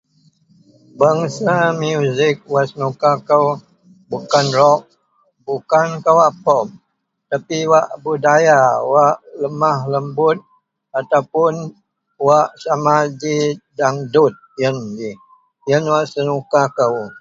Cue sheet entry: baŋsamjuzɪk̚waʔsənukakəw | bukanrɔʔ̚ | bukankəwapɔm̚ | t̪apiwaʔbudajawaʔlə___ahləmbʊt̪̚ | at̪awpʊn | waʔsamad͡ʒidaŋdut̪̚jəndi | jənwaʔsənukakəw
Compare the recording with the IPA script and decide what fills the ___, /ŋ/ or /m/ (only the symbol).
m